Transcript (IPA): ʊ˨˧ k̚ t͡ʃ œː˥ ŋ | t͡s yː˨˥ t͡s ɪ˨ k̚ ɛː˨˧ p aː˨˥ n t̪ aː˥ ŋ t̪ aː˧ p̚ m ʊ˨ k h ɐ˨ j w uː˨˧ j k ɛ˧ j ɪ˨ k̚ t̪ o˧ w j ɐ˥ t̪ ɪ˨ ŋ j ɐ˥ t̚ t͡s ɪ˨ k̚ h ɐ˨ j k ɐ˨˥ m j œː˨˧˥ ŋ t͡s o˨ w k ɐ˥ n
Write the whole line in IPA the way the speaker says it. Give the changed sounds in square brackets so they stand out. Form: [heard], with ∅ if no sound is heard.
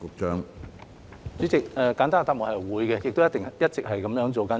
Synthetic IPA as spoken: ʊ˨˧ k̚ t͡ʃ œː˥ ŋ | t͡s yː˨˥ t͡s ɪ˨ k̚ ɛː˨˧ [k] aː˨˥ n t̪ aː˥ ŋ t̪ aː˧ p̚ m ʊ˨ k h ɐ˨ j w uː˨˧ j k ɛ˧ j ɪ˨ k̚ t̪ [o˥] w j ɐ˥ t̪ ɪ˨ ŋ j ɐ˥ t̚ t͡s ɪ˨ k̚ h ɐ˨ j k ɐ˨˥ m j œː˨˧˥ ŋ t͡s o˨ w k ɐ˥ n

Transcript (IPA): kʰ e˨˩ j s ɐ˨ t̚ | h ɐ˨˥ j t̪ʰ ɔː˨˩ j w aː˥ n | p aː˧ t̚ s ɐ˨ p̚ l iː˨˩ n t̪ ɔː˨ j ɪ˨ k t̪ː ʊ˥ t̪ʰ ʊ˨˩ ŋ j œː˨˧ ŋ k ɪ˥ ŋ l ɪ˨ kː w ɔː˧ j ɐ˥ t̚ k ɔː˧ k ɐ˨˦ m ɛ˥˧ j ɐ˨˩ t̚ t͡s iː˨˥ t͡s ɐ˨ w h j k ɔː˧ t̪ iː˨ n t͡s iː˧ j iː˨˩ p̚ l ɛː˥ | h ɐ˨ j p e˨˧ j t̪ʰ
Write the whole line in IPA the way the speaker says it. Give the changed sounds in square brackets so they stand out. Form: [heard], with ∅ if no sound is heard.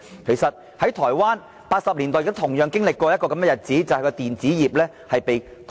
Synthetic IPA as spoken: kʰ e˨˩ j s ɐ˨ t̚ | h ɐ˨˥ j t̪ʰ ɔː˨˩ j w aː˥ n | p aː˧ t̚ s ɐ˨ p̚ l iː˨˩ n t̪ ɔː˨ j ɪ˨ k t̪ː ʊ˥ t̪ʰ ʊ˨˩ ŋ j œː˨˧ ŋ k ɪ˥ ŋ l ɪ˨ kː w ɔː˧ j ɐ˥ t̚ k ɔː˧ k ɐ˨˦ m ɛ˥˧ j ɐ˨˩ t̚ t͡s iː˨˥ t͡s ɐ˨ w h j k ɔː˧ t̪ iː˨ n t͡s [iː˨˥] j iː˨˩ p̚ l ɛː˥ | h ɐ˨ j p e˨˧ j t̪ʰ

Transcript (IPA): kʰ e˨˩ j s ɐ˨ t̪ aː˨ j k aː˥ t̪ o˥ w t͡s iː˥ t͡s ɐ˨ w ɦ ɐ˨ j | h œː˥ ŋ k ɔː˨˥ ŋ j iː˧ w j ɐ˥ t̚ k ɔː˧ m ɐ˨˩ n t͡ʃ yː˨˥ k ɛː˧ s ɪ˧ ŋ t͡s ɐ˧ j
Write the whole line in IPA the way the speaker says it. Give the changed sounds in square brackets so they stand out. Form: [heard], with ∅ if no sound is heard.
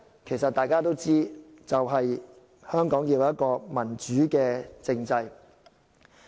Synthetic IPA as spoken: kʰ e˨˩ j s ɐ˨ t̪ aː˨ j k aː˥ t̪ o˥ w t͡s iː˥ t͡s ɐ˨ w ɦ ɐ˨ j | h œː˥ ŋ k ɔː˨˥ ŋ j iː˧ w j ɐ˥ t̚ k ɔː˧ m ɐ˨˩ n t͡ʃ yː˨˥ k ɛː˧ [t͡s] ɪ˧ ŋ t͡s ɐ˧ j

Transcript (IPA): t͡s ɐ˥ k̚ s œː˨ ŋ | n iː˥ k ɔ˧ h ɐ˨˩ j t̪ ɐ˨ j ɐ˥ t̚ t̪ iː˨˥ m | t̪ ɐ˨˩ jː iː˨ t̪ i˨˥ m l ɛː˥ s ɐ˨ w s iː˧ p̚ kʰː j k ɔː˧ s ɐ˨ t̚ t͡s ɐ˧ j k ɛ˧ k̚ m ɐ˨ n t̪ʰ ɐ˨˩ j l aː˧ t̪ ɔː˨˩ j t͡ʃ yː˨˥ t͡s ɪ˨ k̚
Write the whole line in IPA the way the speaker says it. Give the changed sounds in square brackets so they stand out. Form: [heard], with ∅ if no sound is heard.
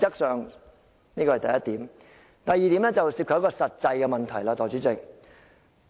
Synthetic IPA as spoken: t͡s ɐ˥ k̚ s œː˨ ŋ | n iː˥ k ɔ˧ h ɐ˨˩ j t̪ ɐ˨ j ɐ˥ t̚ t̪ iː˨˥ m | t̪ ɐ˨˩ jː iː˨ t̪ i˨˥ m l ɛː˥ [t͡s] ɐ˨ w s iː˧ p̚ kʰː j k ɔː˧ s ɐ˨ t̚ t͡s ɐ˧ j k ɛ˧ [∅] m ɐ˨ n t̪ʰ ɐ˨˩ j l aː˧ t̪ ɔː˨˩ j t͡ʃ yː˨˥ t͡s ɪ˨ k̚

